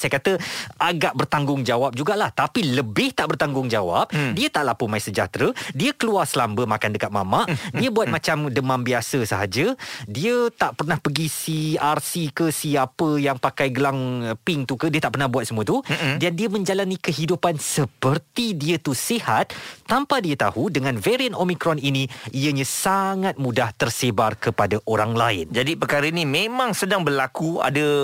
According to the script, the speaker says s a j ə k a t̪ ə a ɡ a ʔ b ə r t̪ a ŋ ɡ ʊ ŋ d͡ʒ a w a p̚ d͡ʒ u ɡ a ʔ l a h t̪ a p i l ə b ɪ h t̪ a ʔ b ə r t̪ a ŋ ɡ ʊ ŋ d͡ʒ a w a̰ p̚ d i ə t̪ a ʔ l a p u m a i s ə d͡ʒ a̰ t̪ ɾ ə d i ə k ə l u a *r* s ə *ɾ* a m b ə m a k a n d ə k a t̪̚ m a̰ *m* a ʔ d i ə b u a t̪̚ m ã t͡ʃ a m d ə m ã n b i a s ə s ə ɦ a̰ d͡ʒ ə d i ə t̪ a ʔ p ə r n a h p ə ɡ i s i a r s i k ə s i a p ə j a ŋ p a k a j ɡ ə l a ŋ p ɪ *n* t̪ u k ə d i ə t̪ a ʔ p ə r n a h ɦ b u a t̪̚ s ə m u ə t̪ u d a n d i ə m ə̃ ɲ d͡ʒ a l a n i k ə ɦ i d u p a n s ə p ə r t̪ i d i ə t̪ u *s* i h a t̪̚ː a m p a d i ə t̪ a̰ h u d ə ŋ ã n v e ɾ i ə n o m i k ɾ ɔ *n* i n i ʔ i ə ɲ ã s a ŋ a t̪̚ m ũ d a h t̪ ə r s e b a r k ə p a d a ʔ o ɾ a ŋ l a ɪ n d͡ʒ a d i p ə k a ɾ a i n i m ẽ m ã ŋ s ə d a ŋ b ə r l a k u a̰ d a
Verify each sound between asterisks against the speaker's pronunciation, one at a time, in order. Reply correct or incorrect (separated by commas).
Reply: correct, incorrect, correct, incorrect, correct, correct